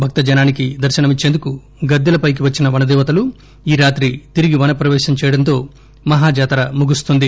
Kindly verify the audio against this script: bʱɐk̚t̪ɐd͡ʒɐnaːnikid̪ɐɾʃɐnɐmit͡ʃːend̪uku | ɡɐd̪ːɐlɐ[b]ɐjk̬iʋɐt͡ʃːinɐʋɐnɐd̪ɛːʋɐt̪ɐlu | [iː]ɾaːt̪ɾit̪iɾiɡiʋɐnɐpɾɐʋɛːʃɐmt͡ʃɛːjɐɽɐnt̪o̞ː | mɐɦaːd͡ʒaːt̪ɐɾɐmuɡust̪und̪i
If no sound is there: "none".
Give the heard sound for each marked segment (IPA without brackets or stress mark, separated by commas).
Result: p, iː